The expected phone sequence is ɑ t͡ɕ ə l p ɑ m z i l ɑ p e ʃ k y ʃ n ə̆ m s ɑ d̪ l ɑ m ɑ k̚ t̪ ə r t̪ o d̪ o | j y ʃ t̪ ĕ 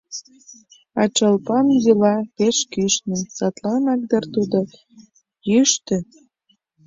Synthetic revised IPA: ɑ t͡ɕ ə l p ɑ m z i l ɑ p e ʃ k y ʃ n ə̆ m s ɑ t̪ l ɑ n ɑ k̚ d̪ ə r t̪ u d̪ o | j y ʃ t̪ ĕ